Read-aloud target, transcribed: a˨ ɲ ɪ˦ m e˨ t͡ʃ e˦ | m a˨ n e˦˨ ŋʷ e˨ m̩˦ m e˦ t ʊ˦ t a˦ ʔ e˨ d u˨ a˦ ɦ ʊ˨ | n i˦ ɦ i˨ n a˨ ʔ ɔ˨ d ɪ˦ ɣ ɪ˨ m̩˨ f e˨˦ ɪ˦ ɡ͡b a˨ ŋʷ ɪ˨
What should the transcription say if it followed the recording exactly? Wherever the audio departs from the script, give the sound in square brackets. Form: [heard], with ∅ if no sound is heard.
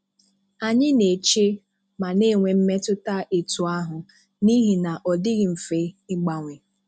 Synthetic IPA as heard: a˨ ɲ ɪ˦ [n] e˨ t͡ʃ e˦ | m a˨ n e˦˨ ŋʷ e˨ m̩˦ m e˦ t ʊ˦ t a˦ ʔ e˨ [t] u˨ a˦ ɦ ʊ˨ | n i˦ ɦ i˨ n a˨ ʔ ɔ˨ d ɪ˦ ɣ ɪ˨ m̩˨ f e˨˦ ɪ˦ ɡ͡b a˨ ŋʷ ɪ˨